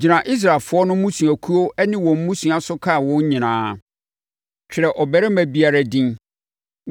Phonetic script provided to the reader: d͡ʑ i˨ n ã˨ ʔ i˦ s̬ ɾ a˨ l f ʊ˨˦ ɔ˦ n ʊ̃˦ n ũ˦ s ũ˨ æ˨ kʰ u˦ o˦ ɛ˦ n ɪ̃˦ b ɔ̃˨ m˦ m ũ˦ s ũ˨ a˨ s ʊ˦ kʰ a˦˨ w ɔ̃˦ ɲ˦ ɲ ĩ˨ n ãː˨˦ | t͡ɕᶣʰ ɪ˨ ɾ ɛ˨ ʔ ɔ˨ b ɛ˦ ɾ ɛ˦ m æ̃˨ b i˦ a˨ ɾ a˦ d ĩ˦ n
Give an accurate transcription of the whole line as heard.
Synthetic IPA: d͡ʑ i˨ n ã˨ ʔ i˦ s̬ ɾ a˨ l f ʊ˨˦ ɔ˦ n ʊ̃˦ m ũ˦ s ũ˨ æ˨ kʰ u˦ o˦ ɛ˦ n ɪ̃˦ w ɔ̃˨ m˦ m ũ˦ s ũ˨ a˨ s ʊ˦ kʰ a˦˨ w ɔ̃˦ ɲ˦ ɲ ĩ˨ n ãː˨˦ | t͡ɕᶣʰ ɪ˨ ɾ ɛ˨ ʔ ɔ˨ b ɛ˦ ɾ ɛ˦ m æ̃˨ b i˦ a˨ ɾ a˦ d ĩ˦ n